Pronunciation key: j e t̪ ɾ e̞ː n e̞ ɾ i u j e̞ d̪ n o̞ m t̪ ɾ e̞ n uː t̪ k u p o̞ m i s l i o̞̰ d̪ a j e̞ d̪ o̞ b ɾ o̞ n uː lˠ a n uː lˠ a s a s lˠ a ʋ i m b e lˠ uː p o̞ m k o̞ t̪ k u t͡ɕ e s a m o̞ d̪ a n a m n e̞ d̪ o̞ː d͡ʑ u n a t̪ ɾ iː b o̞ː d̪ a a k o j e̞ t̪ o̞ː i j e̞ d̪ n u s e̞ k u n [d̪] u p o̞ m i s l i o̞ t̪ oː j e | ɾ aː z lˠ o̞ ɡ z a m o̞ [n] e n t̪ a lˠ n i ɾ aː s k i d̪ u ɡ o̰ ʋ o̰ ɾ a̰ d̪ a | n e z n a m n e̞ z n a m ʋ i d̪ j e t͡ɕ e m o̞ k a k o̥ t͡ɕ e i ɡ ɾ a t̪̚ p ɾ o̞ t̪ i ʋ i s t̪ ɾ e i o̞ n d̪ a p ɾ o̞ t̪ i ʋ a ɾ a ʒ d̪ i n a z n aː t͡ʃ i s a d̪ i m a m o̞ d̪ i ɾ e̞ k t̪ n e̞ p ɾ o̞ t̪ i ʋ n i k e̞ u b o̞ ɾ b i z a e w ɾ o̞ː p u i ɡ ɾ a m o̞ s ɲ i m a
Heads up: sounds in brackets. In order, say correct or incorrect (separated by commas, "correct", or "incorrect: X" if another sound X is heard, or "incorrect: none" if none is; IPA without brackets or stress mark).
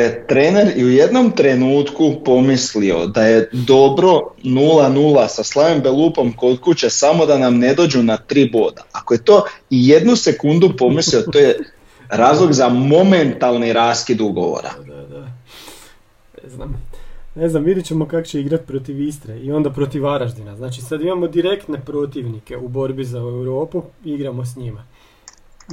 correct, incorrect: m